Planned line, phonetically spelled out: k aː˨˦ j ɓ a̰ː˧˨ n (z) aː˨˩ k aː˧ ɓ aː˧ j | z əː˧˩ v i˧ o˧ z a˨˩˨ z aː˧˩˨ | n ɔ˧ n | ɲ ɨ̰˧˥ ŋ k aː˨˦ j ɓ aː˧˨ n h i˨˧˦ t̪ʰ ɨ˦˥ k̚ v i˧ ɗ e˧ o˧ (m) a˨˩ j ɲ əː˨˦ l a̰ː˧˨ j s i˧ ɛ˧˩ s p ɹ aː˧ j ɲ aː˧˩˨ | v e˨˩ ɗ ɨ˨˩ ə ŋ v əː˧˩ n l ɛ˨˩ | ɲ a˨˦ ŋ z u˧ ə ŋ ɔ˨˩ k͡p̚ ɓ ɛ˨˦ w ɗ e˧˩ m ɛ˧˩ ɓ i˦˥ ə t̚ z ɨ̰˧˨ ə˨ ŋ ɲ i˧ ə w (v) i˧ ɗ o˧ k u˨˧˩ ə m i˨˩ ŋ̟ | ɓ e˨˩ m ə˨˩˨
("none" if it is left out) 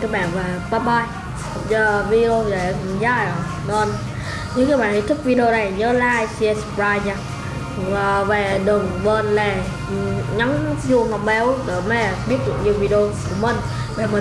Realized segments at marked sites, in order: v, n, v

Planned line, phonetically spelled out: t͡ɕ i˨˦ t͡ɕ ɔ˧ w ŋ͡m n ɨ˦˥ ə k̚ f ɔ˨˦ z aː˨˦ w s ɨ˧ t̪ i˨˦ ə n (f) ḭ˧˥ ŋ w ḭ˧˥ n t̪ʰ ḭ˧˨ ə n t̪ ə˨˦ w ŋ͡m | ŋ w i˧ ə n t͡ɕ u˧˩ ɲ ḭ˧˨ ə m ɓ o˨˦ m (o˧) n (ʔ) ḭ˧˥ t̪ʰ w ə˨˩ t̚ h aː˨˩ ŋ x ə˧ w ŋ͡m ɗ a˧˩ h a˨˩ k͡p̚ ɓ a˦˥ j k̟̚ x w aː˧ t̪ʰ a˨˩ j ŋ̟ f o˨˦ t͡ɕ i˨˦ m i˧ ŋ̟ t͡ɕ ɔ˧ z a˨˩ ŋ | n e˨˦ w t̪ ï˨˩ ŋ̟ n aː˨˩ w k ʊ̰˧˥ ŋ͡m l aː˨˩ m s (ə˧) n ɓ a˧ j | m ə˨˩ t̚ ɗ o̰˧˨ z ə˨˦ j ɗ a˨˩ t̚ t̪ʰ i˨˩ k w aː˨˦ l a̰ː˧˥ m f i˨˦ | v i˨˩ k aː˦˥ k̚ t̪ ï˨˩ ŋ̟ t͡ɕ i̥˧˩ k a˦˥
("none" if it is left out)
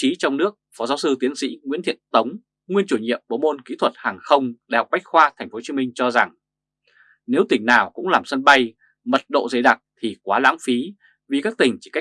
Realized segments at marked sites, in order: s, o˧, k, ə˧

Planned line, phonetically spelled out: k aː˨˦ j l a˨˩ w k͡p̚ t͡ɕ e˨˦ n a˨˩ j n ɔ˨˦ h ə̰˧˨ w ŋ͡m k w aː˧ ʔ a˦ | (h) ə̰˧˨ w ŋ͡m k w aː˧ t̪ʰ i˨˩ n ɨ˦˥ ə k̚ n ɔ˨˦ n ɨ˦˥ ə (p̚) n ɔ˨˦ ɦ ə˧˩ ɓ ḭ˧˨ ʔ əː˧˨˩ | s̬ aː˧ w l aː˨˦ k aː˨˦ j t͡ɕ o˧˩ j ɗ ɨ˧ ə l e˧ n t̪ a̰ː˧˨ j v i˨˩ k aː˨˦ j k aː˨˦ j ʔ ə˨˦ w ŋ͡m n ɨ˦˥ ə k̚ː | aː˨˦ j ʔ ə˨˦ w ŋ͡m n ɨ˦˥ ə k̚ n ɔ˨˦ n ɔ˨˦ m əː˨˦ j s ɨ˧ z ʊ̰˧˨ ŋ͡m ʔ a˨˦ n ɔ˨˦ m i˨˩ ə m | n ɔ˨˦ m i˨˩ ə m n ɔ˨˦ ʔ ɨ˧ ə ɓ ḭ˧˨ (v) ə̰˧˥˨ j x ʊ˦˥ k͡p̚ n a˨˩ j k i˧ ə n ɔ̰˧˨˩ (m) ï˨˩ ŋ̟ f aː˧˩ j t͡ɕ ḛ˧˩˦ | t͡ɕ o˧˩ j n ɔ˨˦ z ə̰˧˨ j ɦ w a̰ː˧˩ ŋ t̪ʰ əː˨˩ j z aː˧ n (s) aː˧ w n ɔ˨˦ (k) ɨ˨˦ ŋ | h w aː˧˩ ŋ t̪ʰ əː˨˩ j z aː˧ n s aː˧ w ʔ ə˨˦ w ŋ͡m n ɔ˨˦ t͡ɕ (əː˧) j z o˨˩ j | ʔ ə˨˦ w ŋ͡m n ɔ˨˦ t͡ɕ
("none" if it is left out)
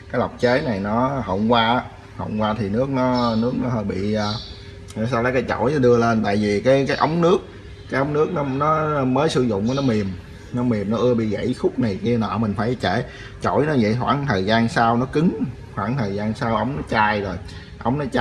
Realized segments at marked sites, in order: h, k̚, ɣ, m, s, k, aː˧

